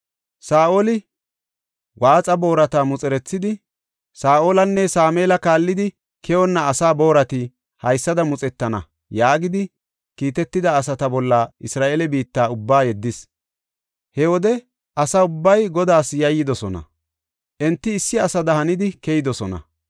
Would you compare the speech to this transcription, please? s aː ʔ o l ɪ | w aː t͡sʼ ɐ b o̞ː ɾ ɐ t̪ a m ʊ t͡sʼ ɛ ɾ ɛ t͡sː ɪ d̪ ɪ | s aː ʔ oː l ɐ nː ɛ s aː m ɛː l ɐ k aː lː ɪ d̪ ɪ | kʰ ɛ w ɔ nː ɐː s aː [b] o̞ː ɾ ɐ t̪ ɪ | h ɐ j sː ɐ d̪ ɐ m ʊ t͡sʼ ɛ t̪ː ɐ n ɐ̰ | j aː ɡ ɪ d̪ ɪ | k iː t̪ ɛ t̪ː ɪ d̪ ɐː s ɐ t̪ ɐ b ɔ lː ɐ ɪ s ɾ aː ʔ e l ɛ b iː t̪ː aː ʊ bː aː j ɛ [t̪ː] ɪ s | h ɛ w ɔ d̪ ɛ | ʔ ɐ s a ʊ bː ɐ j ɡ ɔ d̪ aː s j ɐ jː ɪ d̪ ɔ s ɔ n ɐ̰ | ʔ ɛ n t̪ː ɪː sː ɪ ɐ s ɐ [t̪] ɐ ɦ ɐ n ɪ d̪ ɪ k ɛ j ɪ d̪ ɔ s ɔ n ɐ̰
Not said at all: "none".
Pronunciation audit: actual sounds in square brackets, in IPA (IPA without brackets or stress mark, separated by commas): b, d̪ː, d̪